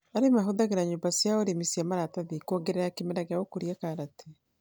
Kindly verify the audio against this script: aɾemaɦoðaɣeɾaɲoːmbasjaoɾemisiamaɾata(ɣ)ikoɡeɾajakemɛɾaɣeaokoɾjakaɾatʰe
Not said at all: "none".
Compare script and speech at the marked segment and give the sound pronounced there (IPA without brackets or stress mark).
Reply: ð